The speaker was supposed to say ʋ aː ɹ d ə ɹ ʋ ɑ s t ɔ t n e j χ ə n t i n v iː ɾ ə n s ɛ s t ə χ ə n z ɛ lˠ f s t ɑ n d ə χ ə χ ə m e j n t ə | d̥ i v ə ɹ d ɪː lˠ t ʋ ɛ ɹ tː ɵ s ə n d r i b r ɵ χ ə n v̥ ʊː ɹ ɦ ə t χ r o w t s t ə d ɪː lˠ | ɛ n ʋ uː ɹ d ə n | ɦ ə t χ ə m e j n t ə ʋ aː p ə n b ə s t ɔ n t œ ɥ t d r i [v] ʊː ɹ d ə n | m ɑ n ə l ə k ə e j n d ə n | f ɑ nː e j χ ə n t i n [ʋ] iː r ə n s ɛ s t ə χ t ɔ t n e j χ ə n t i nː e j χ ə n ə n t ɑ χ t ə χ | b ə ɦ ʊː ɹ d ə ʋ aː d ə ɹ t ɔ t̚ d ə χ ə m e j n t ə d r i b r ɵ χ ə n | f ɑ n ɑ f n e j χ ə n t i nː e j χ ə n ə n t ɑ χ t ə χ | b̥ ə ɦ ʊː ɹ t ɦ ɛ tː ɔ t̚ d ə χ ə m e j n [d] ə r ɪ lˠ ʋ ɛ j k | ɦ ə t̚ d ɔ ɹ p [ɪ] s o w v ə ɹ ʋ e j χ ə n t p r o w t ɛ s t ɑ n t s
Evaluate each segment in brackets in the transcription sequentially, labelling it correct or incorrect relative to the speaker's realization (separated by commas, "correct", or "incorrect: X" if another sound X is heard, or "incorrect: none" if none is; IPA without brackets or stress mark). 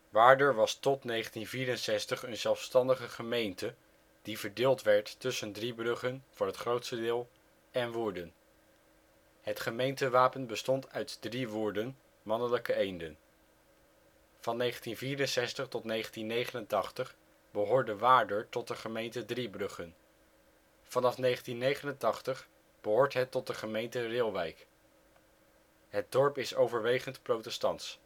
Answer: incorrect: ʋ, incorrect: v, incorrect: t, correct